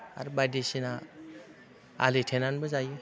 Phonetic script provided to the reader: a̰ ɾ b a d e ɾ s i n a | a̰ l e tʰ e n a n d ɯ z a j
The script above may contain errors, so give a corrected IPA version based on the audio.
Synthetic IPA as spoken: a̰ ɾ b a d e s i n a | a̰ l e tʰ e n a n b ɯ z a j

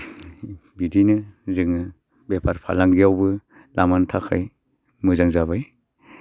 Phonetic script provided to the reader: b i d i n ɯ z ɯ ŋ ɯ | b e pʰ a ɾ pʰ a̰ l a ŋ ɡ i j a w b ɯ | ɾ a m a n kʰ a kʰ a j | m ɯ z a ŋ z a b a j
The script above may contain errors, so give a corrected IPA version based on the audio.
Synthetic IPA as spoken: b i d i n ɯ z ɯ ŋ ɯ | b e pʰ a ɾ pʰ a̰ l a ŋ ɡ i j a w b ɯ | l a m a n tʰ a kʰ a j | m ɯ z a ŋ z a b a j

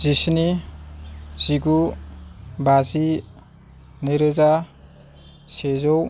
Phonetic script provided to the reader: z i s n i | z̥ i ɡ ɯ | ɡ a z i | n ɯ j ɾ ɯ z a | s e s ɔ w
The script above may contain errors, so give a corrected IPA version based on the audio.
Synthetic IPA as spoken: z i s n i | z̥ i ɡ u | b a z i | n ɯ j ɾ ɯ z a | s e z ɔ w

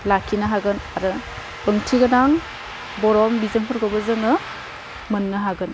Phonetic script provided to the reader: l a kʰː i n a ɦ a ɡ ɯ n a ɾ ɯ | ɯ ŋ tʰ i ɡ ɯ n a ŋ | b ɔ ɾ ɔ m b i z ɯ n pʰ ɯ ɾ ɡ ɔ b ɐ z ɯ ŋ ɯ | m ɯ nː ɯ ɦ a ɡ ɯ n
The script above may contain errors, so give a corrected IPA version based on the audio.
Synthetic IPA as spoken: l a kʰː i n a ɦ a ɡ ɯ n a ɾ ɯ | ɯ ŋ tʰ i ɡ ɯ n a ŋ | b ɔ ɾ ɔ m b i z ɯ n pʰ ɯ ɾ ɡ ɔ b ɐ z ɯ ŋ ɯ | m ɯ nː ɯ ɦ a ɡ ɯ n

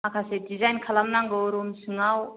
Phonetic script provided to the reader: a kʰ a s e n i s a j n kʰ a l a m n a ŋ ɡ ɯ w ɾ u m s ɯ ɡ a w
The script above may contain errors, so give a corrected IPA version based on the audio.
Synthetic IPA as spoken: a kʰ a s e d i z a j n kʰ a l a m n a ŋ ɡ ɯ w ɾ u m s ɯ ŋ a w

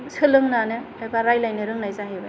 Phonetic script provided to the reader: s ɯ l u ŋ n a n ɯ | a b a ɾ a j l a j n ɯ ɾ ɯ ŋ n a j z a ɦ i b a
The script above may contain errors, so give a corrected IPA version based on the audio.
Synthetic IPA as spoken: s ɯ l ɯ ŋ n a n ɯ | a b a ɾ a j l a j n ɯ ɾ ɯ ŋ n a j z a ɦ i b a

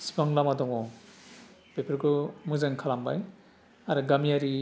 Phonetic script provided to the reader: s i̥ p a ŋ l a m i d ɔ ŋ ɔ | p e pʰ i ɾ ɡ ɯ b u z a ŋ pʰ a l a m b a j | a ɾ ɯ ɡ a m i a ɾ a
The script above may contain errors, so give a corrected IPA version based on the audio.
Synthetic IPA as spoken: s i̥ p a ŋ l a m a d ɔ ŋ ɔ | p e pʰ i ɾ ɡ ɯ m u z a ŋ kʰ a l a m b a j | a ɾ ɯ ɡ a m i a ɾ i

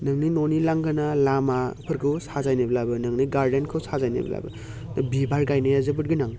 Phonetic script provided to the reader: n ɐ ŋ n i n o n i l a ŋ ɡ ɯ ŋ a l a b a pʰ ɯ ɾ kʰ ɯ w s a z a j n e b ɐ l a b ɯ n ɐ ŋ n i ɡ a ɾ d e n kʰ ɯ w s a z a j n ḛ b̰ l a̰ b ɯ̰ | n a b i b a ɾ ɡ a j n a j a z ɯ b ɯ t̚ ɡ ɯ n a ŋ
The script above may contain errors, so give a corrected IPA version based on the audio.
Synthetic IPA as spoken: n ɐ ŋ n i n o n i l a ŋ ɡ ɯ n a l a m a pʰ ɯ ɾ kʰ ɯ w s a z a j n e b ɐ l a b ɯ n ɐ ŋ n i ɡ a ɾ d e n kʰ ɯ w s a z a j n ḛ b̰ l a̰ b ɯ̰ | n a b i b a ɾ ɡ a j n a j a z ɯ b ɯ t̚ ɡ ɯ n a ŋ

